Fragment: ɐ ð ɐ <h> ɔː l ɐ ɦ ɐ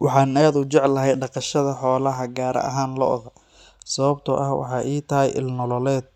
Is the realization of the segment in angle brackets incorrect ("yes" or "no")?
yes